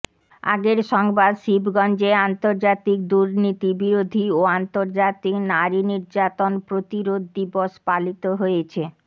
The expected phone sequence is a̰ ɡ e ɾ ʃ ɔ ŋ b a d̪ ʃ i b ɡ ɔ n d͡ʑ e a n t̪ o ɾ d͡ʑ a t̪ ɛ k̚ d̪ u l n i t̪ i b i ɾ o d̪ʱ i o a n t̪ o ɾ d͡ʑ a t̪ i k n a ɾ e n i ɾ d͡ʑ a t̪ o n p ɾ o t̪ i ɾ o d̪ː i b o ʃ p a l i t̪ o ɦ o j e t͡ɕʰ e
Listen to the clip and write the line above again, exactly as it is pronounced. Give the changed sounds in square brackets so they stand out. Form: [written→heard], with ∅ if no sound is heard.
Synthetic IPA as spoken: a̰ ɡ e ɾ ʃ ɔ ŋ b a d̪ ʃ i b ɡ ɔ n d͡ʑ e a n t̪ o ɾ d͡ʑ a t̪ [ɛ→i] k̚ d̪ u [l→ɾ] n i t̪ i b i ɾ o d̪ʱ i o a n t̪ o ɾ d͡ʑ a t̪ i k n a ɾ [e→i] n i ɾ d͡ʑ a t̪ o n p ɾ o t̪ i ɾ o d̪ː i b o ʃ p a l i t̪ o ɦ o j e t͡ɕʰ e